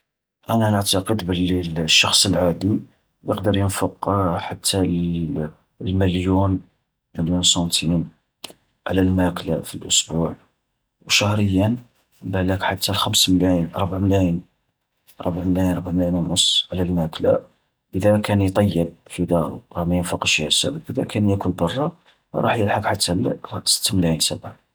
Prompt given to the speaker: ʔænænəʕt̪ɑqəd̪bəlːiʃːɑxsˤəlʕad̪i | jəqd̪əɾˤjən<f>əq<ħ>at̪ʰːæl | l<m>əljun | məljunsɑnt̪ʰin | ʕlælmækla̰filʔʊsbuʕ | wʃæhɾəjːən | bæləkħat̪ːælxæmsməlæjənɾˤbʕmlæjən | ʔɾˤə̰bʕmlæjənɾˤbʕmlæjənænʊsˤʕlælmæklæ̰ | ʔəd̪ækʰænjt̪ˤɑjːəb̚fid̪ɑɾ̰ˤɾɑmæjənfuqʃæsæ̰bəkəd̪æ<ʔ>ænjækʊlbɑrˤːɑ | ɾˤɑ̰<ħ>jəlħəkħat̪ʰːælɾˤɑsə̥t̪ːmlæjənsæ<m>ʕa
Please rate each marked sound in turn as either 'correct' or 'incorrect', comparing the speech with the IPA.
correct, correct, correct, incorrect: k, correct, incorrect: b

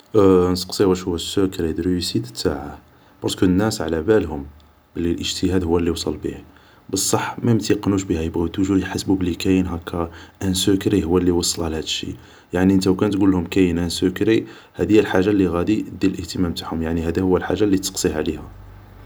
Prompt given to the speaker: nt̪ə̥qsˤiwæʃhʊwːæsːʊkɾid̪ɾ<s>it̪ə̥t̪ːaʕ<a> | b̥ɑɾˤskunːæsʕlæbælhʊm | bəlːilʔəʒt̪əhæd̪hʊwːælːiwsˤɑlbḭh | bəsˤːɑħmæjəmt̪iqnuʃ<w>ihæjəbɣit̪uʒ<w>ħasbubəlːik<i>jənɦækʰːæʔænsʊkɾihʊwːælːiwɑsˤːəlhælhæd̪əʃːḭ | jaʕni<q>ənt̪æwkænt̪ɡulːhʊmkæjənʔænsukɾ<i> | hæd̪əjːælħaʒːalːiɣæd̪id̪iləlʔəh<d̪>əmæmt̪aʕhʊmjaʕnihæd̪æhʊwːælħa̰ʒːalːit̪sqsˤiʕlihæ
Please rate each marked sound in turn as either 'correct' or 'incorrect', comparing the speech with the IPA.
correct, correct, incorrect: b, incorrect: u, incorrect: æ, incorrect: ʔ, correct, incorrect: t̪

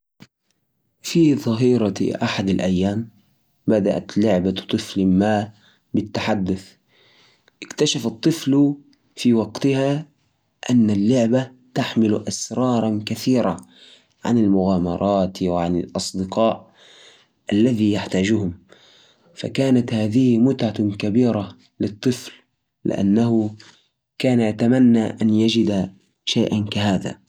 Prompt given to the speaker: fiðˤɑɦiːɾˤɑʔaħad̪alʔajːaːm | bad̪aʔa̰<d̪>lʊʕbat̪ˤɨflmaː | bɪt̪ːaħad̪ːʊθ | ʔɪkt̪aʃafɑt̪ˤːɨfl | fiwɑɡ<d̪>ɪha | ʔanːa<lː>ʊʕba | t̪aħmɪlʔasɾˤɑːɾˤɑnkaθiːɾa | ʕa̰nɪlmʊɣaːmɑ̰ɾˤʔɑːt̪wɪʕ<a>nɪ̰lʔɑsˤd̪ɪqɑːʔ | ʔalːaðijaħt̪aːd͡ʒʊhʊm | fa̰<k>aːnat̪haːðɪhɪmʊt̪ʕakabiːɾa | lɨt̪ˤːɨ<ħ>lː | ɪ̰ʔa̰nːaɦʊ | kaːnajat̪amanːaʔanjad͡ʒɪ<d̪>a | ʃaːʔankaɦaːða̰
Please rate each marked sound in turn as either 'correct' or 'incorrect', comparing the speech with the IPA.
incorrect: t̪, incorrect: t̪, correct, correct, correct, incorrect: f, correct

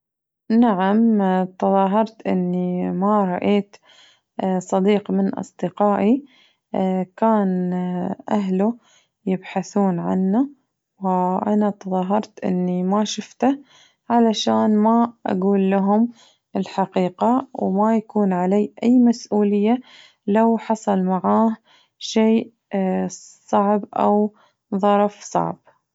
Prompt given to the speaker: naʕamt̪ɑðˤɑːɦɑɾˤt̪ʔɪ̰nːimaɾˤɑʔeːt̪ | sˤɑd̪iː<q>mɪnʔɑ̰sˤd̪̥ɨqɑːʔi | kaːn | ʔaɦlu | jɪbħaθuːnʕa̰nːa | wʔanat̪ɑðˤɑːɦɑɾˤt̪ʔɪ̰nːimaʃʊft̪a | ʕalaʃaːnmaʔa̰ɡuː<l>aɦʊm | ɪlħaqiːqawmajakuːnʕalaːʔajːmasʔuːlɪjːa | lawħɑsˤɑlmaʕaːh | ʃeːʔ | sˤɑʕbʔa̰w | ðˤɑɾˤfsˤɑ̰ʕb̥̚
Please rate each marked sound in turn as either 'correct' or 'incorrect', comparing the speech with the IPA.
correct, incorrect: lː

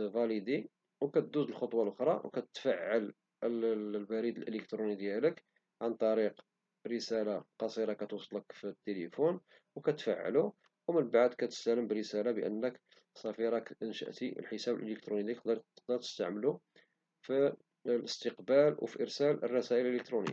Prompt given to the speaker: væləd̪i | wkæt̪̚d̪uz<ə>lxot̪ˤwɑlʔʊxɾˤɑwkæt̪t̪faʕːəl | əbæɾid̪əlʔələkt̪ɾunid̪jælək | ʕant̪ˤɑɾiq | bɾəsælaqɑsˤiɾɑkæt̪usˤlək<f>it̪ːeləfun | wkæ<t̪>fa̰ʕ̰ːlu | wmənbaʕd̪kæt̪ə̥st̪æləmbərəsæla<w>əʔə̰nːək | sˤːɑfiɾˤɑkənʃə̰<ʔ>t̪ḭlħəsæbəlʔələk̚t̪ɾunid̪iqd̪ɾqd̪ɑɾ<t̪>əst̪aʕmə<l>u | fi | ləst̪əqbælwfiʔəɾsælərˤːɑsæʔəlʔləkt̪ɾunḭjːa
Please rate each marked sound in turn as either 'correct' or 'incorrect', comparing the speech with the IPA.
correct, correct, correct, incorrect: b, correct, correct, correct

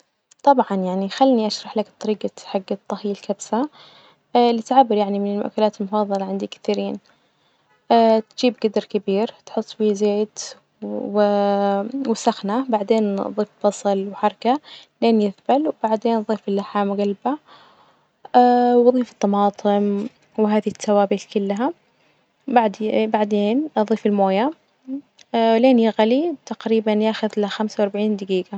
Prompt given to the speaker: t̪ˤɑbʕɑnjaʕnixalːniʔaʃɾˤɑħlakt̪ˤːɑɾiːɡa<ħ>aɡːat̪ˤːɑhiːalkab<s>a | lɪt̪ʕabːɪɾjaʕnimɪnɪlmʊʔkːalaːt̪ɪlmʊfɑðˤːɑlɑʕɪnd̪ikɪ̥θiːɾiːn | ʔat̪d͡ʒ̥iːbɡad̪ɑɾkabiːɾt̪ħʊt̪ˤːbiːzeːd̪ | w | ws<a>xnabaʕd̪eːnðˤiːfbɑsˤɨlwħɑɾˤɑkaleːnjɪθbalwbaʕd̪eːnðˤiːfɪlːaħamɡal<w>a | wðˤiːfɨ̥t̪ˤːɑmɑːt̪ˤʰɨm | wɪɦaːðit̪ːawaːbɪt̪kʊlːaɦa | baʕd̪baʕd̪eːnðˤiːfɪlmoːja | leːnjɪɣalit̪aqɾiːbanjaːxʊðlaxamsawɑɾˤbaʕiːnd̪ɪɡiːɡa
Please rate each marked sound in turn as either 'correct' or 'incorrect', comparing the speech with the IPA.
correct, correct, correct, incorrect: b

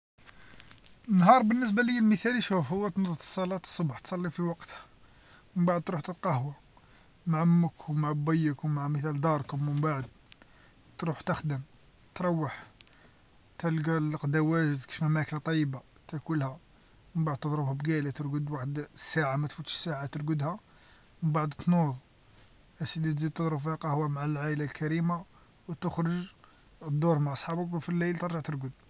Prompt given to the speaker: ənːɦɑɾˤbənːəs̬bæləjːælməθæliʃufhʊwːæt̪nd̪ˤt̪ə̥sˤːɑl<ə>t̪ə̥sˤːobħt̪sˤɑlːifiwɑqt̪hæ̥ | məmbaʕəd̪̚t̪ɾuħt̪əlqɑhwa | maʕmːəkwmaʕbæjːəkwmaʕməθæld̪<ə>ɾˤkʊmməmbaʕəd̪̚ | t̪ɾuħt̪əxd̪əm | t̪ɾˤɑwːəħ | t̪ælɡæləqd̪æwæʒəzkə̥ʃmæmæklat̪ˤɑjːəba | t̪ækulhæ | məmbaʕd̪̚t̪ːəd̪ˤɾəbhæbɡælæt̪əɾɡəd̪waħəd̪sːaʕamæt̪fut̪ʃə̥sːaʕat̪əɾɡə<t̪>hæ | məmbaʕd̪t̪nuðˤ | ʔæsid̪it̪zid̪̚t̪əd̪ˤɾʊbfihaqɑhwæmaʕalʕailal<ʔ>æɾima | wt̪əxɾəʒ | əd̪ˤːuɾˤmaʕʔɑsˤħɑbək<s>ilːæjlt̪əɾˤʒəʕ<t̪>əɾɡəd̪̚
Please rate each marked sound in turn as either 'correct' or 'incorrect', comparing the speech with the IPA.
incorrect: ɑ, incorrect: ɑ, incorrect: d̪, incorrect: k, incorrect: f, correct

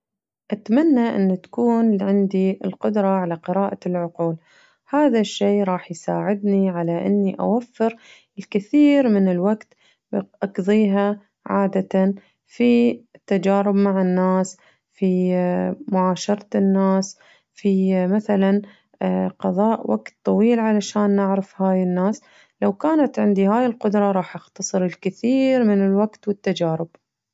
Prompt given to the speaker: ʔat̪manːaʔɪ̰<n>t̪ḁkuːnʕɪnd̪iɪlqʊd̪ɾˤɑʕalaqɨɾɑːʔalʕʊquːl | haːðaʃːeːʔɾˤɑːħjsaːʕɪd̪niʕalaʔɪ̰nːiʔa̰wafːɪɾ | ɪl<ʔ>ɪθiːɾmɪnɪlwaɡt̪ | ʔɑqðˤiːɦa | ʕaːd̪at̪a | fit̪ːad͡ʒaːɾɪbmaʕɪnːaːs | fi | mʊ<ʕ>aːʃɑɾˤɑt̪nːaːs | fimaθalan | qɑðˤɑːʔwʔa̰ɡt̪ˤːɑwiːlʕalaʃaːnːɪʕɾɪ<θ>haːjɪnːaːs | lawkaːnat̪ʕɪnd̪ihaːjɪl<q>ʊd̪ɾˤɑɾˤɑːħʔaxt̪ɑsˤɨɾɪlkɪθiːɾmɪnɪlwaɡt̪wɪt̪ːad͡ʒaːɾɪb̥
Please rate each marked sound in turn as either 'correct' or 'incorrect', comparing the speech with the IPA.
incorrect: nː, incorrect: k, correct, incorrect: f, correct

